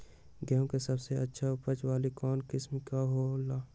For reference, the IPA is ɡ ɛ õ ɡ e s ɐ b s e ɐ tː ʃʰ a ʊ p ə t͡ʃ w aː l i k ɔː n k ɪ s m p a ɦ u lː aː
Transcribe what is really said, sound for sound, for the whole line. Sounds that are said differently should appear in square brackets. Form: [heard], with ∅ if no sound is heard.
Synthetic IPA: ɡ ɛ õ [k] e s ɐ b s e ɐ tː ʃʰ a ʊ p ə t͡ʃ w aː l i k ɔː n k ɪ s m [k] a ɦ [o] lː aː